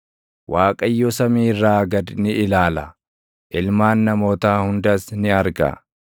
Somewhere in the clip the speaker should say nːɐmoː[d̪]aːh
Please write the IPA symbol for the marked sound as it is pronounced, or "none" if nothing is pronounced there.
t̪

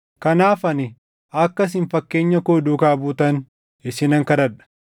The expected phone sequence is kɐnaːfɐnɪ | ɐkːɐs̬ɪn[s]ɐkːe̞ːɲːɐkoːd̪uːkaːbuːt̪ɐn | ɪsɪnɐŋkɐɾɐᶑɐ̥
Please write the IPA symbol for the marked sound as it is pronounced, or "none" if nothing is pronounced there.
f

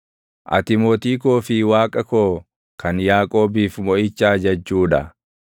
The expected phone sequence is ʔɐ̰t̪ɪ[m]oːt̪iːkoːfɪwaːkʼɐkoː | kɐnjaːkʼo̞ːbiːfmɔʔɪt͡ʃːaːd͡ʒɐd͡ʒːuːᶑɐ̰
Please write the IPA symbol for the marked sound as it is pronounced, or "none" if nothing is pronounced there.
m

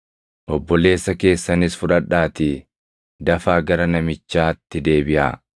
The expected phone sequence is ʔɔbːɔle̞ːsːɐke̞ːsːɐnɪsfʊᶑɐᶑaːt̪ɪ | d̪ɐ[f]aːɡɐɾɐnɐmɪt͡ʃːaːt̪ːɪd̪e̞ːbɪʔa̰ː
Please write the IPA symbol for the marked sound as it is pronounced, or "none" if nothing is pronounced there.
f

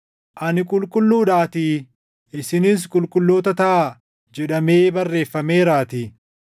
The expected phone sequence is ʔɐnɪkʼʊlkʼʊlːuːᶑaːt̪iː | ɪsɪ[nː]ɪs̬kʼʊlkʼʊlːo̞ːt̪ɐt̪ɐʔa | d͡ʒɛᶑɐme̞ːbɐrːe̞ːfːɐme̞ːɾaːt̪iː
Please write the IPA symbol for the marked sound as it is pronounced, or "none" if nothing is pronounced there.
n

